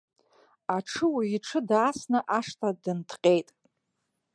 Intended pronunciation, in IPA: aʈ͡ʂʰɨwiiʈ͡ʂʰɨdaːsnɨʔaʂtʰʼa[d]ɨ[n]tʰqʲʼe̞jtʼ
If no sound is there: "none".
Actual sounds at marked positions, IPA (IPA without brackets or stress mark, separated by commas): d, n